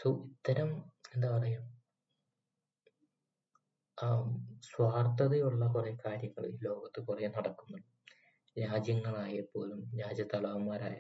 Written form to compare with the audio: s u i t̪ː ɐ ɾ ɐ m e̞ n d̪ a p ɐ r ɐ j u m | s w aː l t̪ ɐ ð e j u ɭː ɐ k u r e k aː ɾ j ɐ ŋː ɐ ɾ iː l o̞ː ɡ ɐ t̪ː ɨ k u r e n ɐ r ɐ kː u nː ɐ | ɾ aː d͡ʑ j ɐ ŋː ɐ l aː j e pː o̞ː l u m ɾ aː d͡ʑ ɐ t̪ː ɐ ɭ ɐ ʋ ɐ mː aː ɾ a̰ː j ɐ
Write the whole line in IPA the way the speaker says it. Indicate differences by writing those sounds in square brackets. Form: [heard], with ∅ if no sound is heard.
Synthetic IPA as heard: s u i t̪ː ɐ ɾ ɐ m e̞ n d̪ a p ɐ r ɐ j u m | s w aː [r] t̪ ɐ ð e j u ɭː ɐ k u r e k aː ɾ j ɐ ŋː ɐ [ɭ] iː l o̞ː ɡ ɐ t̪ː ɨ k u r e n ɐ [ɽ] ɐ kː u nː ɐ | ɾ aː d͡ʑ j ɐ ŋː ɐ [ɭ] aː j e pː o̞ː l u m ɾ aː d͡ʑ ɐ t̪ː ɐ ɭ ɐ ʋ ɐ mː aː ɾ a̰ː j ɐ